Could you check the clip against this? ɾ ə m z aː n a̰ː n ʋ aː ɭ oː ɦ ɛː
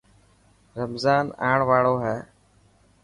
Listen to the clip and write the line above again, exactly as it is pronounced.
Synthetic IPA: ɾ ə m z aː n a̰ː ɳ ʋ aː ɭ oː ɦ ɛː